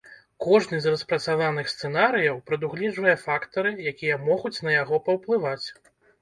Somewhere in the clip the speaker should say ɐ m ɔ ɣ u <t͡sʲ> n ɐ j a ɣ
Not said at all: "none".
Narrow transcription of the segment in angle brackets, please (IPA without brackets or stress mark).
t͡sʲ